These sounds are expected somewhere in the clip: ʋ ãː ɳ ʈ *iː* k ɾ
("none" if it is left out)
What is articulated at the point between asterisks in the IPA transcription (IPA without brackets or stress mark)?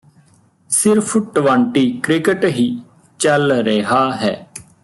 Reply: iː